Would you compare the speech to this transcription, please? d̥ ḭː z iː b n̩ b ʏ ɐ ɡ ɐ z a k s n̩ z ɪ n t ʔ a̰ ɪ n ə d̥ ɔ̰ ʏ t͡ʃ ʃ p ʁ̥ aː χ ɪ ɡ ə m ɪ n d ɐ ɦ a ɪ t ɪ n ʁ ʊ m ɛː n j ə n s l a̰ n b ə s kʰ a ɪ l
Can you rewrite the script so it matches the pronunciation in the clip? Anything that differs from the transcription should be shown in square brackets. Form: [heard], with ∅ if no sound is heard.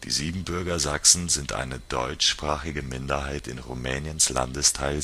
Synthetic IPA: d̥ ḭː z iː b [m̩] b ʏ ɐ ɡ ɐ z a k s n̩ z ɪ n t ʔ a̰ ɪ n ə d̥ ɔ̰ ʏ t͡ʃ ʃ p ʁ̥ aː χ ɪ ɡ ə m ɪ n d ɐ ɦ a ɪ t ɪ n ʁ [u] m ɛː n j ə n s l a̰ n [d] ə s [tʰ] a ɪ l